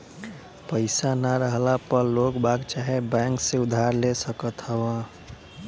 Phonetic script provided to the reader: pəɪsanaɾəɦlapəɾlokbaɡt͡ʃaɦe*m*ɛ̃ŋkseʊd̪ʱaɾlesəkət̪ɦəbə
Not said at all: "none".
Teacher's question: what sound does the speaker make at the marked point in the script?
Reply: b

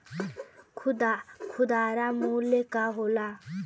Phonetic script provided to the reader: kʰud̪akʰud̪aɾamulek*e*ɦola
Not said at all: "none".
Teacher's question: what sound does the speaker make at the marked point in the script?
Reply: a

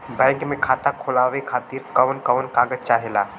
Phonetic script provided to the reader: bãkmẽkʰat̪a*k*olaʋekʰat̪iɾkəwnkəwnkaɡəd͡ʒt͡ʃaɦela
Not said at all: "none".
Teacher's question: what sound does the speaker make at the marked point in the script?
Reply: kʰ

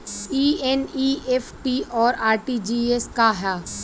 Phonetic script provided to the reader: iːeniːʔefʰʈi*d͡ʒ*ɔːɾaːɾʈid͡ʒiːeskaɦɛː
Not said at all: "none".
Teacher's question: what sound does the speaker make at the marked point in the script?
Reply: none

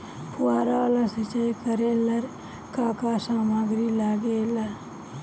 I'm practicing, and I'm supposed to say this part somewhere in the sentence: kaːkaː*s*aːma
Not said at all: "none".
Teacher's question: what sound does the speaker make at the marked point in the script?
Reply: s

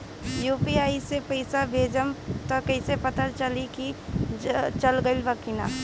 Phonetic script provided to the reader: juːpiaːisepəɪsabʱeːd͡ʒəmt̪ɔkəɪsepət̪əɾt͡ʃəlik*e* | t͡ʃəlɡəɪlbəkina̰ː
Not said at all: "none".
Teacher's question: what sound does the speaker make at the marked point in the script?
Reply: i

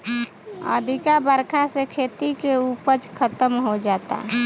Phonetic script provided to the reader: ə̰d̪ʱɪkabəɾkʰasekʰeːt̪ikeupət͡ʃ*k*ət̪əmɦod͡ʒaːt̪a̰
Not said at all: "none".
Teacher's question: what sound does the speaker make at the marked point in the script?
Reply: kʰ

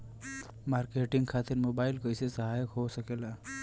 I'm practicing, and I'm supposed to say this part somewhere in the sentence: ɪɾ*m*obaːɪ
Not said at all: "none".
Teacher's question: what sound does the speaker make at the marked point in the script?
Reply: m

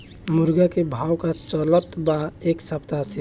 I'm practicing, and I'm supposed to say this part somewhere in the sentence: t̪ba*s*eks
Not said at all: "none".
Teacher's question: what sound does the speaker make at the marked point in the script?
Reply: none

